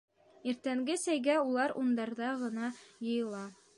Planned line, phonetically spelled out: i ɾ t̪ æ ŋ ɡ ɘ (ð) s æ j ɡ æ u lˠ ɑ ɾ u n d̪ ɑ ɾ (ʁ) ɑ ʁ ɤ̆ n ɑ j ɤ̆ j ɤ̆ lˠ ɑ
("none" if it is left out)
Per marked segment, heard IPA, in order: none, ð

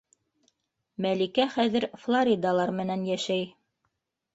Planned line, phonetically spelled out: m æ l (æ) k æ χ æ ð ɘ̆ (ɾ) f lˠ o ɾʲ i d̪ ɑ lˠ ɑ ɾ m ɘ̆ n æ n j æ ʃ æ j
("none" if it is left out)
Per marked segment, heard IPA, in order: i, ɾ

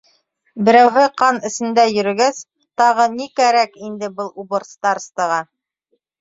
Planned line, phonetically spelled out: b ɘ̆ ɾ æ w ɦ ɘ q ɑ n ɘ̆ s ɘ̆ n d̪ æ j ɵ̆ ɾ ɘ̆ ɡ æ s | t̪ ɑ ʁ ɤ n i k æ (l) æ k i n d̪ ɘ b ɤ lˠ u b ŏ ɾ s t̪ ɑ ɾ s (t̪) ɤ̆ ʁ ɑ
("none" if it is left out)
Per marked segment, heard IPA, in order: ɾ, t̪

